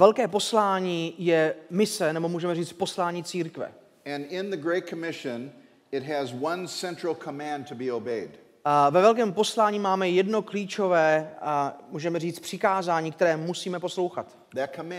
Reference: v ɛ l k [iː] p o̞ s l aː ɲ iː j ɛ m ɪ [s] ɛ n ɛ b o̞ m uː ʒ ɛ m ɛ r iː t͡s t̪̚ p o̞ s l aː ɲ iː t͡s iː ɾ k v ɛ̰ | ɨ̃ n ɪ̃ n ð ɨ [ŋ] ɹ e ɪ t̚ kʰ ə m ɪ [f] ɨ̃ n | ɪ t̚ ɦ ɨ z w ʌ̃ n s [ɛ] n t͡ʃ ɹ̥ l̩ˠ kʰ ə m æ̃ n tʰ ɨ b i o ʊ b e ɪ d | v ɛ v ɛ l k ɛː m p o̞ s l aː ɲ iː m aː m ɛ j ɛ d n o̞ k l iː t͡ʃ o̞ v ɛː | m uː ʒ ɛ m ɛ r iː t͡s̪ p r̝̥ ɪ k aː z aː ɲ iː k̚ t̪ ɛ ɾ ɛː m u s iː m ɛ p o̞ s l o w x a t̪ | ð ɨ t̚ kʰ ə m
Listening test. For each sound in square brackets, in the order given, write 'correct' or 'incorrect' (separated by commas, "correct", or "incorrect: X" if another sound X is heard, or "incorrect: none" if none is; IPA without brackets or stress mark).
incorrect: ɛː, correct, incorrect: ɡ, incorrect: ʃ, incorrect: ɛ̃